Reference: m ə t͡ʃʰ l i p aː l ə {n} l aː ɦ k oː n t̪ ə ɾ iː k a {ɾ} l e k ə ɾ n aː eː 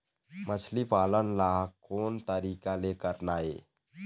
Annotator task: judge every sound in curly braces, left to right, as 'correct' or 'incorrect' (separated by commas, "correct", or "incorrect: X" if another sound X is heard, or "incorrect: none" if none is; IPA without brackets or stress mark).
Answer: correct, incorrect: none